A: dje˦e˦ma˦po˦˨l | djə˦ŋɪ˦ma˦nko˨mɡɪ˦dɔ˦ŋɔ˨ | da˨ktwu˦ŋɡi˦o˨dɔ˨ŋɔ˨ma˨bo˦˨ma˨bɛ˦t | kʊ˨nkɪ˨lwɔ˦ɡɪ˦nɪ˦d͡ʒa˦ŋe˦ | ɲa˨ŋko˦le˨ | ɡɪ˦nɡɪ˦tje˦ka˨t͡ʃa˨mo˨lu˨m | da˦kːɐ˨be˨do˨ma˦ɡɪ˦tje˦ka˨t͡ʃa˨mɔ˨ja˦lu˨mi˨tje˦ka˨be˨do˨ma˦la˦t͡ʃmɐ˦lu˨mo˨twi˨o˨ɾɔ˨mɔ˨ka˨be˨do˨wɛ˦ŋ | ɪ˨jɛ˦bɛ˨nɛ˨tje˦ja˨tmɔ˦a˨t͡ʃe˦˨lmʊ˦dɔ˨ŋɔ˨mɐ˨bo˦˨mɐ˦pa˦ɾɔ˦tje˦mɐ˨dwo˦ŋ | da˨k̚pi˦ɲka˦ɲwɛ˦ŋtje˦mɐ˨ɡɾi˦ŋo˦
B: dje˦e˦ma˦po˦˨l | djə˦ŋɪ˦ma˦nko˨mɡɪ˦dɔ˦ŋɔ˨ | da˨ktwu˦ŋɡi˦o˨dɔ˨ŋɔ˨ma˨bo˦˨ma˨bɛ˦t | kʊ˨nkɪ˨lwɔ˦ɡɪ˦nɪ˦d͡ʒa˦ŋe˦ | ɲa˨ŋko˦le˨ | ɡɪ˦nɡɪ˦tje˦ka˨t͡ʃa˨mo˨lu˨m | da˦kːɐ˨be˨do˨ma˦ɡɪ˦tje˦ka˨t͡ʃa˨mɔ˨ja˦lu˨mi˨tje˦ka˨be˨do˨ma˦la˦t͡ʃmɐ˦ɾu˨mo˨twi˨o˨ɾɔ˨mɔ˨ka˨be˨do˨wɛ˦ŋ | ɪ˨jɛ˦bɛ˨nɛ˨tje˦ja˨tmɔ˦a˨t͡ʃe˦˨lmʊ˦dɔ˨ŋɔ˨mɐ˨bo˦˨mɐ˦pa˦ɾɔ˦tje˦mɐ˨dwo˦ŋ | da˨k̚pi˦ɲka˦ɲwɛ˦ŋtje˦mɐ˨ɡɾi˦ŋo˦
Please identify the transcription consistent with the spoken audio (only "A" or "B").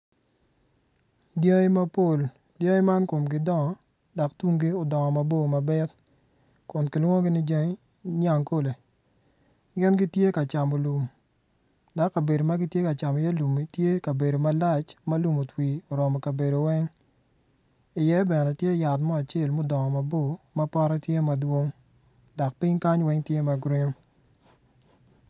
A